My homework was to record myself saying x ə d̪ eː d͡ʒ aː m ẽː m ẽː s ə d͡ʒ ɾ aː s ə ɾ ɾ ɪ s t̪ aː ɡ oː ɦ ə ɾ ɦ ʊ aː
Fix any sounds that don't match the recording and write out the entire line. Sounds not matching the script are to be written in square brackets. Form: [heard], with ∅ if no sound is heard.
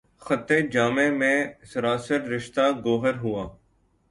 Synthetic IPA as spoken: x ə [t̪] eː d͡ʒ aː m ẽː m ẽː s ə [∅] ɾ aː s ə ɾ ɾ ɪ [ʃ] t̪ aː ɡ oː ɦ ə ɾ ɦ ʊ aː